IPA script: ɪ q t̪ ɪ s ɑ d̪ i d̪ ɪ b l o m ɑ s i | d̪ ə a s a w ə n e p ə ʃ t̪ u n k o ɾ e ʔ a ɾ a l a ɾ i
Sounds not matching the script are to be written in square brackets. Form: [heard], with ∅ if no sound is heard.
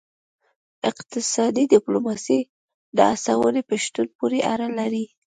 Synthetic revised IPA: ɪ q t̪ ɪ s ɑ d̪ i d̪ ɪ [p] l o m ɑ s i | d̪ ə a s a w ə n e p ə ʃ t̪ u n [p] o ɾ e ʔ a ɾ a l a ɾ i

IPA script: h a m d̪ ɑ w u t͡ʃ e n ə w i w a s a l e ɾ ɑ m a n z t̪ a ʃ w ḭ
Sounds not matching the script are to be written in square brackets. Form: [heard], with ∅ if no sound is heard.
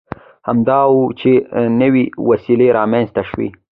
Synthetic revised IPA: h a m d̪ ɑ w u t͡ʃ e n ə w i w a s [i] l e ɾ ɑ m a n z t̪ a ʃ w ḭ

